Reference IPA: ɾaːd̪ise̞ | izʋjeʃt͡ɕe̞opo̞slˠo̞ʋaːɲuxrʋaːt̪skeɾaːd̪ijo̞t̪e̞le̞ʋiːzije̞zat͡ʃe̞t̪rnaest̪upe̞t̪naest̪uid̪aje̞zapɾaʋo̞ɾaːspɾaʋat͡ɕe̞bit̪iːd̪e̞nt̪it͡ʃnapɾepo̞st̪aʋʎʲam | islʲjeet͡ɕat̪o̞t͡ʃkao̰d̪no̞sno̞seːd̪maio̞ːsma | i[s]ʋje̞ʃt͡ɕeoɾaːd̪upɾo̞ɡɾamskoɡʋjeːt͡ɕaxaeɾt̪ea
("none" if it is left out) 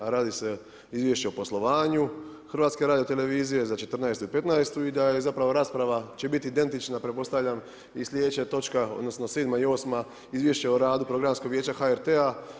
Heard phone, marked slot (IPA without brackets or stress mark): z